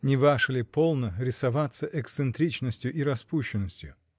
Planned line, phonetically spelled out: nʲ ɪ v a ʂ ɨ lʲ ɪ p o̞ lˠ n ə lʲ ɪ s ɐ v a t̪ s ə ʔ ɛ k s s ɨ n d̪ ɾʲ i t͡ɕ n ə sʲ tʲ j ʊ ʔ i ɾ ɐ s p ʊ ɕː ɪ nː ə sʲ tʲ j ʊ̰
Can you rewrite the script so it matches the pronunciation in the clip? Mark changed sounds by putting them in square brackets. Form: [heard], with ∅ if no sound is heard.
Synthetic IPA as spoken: nʲ ɪ v a ʂ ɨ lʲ ɪ p o̞ lˠ n ə [ɾʲ] ɪ s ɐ v a t̪ s ə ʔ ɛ k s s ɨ n [t̪] ɾʲ i t͡ɕ n ə sʲ tʲ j ʊ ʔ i ɾ ɐ s p [u] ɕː ɪ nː ə sʲ tʲ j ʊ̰

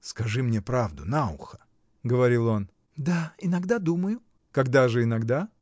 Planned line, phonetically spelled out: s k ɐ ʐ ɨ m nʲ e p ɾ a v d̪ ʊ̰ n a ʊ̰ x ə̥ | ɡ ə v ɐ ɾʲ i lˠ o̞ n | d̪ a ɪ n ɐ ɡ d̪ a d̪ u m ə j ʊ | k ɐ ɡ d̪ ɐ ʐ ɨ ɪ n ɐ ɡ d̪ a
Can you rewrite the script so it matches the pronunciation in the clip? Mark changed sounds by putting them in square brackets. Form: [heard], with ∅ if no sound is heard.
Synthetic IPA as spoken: s k ɐ ʐ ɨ m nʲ e p ɾ a v d̪ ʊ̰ n a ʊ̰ x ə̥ | ɡ ə v ɐ ɾʲ i lˠ o̞ n | d̪ a ɪ n ɐ ɡ d̪ a d̪ u m ə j ʊ | k ɐ ɡ d̪ [a] ʐ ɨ ɪ n ɐ ɡ d̪ a

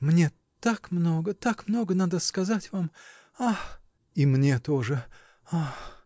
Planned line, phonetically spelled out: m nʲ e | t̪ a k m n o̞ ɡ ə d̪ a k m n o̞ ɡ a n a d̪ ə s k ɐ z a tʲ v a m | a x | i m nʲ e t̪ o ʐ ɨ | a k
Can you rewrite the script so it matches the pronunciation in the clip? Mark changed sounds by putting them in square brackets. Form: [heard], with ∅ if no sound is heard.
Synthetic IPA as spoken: m nʲ e | t̪ a k m n o̞ ɡ ə [t̪] a k m n o̞ ɡ [ə] n a d̪ ə s k ɐ z a tʲ v a m | a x | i m nʲ e t̪ o ʐ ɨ | a [x]

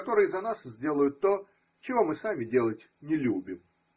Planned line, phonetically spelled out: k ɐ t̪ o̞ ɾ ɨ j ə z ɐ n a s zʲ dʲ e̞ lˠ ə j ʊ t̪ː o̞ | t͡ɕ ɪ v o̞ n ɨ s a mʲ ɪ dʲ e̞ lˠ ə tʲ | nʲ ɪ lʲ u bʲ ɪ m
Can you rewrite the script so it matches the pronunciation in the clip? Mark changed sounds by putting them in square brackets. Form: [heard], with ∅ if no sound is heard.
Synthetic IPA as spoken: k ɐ t̪ o̞ ɾ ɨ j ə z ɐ n a s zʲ dʲ e̞ lˠ ə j ʊ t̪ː o̞ | t͡ɕ ɪ v o̞ [m] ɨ s a mʲ ɪ dʲ e̞ lˠ ə tʲ | nʲ ɪ lʲ u bʲ ɪ m

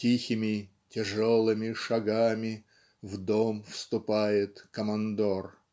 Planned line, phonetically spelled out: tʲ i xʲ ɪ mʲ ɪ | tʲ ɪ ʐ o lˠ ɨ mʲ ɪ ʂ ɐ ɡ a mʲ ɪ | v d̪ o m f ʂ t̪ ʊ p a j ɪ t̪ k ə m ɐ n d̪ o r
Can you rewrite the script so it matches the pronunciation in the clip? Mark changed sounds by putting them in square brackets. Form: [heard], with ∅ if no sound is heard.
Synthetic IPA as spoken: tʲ i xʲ ɪ mʲ ɪ | tʲ ɪ ʐ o lˠ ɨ mʲ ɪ ʂ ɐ ɡ a mʲ ɪ | v d̪ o m f [s] t̪ ʊ p a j ɪ t̪ k ə m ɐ n d̪ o r

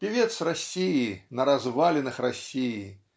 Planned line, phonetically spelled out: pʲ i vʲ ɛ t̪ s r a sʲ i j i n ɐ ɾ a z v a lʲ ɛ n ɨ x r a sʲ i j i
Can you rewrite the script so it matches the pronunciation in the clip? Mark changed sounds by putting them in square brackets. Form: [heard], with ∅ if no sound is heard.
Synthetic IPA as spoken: pʲ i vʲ ɛ t̪ s r a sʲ i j i n ɐ ɾ a z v a lʲ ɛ n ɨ x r a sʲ i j i

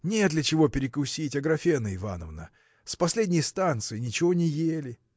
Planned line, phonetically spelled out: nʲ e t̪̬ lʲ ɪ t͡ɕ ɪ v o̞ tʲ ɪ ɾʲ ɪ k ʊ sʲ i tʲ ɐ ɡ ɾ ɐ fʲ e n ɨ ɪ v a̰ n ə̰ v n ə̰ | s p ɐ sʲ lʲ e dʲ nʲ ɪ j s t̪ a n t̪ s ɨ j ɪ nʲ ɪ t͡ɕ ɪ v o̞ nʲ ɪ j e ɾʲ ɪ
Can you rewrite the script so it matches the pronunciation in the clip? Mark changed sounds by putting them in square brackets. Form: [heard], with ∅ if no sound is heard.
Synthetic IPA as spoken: nʲ e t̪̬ lʲ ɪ t͡ɕ ɪ v o̞ [pʲ] ɪ ɾʲ ɪ k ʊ sʲ i tʲ ɐ ɡ ɾ ɐ fʲ e n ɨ ɪ v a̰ n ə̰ v n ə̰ | s p ɐ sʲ lʲ e dʲ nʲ ɪ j s t̪ a n t̪ s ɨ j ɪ nʲ ɪ t͡ɕ ɪ v o̞ nʲ ɪ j e [lʲ] ɪ

